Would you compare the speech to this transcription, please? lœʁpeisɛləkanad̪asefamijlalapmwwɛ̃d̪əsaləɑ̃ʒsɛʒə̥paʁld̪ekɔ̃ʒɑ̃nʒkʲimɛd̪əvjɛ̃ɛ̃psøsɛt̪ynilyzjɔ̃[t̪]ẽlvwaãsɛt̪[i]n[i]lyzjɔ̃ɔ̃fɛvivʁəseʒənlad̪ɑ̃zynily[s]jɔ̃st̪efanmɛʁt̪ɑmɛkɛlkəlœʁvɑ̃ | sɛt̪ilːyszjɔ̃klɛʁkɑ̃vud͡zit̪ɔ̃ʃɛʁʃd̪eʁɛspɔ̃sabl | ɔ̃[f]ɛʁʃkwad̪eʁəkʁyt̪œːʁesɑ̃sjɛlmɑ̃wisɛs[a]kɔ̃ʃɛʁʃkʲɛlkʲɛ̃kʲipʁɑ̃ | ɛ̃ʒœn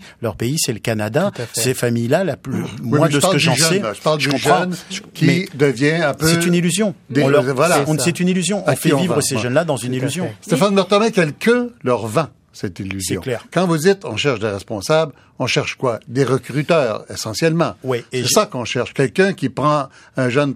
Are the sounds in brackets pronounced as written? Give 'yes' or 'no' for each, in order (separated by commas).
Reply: no, no, yes, no, no, yes